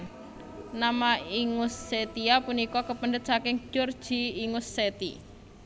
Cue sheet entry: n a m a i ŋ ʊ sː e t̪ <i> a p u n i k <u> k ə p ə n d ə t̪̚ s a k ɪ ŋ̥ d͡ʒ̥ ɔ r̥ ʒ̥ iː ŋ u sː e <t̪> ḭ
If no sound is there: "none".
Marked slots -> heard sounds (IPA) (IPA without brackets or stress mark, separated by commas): i, ɔ, t̪